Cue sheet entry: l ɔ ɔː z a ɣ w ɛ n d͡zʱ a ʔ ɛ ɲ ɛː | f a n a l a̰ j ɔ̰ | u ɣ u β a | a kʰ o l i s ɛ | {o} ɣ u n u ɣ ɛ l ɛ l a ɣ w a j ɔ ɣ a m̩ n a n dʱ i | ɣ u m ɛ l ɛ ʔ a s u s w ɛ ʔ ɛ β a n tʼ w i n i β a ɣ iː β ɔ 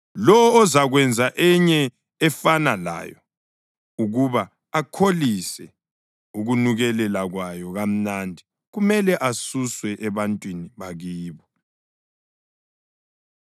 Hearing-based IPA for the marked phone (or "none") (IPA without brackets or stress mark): u